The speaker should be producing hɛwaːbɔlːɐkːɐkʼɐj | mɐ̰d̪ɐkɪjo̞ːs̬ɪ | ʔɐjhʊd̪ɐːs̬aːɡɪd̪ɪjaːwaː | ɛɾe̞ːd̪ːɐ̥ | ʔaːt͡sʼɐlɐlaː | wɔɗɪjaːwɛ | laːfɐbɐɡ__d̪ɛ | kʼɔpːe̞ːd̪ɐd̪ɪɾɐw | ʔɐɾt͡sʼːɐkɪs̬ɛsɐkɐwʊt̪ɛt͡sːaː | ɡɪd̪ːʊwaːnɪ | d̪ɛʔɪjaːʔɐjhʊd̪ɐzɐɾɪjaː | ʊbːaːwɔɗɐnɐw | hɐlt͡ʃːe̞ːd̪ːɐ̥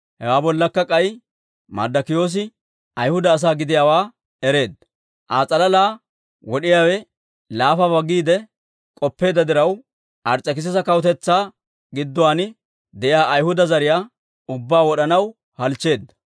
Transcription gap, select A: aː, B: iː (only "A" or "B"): B